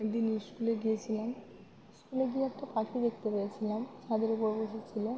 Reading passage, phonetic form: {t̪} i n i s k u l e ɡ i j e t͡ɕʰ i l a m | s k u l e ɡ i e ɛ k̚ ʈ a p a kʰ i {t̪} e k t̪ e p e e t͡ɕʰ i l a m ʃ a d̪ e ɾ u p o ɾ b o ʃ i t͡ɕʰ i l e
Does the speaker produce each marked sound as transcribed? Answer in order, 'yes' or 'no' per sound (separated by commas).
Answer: no, no